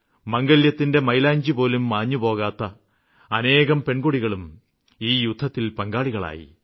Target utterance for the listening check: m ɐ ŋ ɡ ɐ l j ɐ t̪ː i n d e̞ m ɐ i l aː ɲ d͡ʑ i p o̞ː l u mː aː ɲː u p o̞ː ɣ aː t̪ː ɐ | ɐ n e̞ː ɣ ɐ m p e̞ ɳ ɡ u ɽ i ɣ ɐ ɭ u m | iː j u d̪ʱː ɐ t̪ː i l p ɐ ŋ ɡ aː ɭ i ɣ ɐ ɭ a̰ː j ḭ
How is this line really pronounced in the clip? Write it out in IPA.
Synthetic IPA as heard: m ɐ ŋ ɡ ɐ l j ɐ t̪ː i n d e̞ m ɐ j l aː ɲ d͡ʑ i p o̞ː l u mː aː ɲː u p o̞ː ɣ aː t̪ː ɐ | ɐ n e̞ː ɣ ɐ m p e̞ ɳ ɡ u ɽ i ɣ ɐ ɭ u m | iː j u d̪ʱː ɐ t̪ː i l p ɐ ŋ ɡ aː ɭ i ɣ ɐ ɭ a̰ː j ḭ